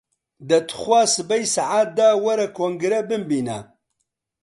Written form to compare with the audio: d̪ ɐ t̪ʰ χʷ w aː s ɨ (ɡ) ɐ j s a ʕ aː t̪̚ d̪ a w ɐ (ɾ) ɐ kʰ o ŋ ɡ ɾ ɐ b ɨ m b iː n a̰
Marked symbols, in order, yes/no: no, yes

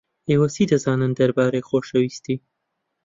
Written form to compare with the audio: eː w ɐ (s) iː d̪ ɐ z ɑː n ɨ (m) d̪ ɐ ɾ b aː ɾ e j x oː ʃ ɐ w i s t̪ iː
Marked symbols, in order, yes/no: yes, no

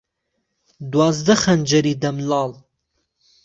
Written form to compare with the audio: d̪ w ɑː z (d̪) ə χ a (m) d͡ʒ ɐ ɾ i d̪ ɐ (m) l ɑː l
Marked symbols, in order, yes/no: yes, no, yes

